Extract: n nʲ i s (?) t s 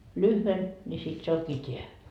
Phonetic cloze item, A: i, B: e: A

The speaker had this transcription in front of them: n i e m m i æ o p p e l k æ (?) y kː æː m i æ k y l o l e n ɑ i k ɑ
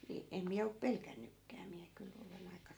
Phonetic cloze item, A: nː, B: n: A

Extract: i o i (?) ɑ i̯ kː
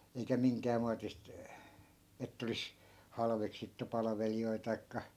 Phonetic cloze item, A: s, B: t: B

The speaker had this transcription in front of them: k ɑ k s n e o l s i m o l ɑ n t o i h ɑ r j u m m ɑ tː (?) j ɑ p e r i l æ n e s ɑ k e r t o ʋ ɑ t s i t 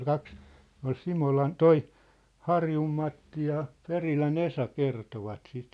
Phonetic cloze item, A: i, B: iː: A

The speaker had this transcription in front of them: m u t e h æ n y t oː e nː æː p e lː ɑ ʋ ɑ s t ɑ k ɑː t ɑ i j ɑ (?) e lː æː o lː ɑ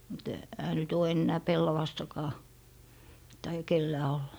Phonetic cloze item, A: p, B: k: B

